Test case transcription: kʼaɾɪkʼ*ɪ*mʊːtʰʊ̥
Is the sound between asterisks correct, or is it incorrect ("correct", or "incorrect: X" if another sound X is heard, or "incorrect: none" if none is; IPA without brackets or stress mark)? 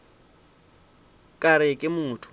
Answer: correct